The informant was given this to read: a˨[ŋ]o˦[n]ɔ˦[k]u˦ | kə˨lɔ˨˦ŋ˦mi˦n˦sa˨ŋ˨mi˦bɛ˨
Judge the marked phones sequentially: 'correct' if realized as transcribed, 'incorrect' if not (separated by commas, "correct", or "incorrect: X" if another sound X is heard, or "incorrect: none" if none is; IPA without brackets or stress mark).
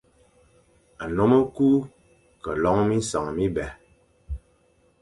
incorrect: n, incorrect: m, correct